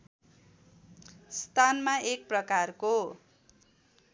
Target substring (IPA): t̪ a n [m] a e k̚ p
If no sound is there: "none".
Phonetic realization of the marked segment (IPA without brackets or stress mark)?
m